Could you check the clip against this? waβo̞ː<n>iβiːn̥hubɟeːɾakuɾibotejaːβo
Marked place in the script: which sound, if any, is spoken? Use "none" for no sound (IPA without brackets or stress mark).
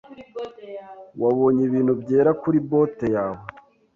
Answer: ɲ